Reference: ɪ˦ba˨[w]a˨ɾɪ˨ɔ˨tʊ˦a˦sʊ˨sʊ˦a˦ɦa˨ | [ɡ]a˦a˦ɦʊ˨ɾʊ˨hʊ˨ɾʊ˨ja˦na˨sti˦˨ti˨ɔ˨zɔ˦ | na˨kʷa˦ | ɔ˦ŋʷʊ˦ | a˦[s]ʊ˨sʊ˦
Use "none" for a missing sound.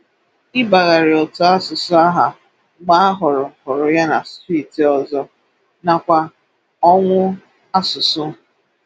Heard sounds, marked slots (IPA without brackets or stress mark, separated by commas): ɣ, ɡ͡b, s